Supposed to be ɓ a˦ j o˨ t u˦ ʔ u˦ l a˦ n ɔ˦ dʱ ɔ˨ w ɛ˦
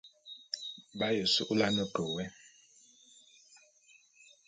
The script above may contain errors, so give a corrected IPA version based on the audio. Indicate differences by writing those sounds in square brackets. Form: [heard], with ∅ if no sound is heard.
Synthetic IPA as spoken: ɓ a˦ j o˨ [s] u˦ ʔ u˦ l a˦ n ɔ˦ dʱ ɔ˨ w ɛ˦